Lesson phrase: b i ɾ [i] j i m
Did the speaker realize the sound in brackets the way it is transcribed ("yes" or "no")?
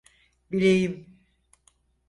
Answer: no